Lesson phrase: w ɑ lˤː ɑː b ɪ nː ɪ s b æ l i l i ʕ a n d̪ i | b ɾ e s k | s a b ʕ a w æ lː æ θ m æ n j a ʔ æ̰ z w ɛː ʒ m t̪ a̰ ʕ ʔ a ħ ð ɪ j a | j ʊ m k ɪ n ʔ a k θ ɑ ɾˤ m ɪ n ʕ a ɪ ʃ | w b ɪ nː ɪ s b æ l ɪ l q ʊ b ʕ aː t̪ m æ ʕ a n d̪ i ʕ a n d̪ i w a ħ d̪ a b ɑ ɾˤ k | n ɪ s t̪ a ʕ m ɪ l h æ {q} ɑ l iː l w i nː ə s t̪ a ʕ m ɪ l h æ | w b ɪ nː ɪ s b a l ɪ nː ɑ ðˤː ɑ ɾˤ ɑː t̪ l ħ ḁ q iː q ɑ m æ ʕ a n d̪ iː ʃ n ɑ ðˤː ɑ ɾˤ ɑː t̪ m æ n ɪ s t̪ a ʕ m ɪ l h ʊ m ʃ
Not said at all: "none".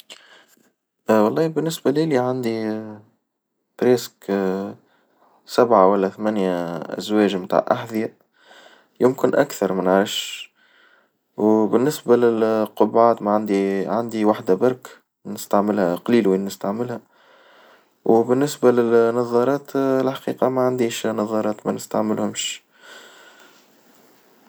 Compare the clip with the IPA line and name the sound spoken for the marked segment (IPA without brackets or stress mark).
q